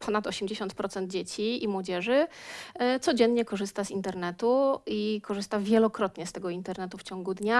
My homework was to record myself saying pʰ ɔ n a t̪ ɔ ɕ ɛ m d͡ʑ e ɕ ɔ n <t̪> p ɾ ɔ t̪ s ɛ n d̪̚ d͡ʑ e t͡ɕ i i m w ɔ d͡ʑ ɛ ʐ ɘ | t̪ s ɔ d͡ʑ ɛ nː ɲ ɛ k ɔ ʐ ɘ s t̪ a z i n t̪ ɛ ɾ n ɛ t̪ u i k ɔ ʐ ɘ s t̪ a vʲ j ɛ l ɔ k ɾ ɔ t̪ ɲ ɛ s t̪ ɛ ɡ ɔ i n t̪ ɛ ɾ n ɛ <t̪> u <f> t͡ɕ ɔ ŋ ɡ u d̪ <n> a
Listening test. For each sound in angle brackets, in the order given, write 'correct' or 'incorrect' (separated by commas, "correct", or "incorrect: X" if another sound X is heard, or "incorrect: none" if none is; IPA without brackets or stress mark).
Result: correct, correct, correct, incorrect: ɲ